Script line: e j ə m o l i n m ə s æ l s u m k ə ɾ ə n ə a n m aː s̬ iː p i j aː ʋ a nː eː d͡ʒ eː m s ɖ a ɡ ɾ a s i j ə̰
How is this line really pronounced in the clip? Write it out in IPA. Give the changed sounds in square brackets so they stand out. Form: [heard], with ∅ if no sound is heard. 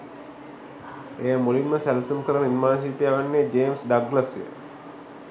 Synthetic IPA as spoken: e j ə m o l i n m ə s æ l s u m k ə ɾ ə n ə [i] n m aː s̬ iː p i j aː ʋ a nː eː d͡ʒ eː m s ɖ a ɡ [l] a s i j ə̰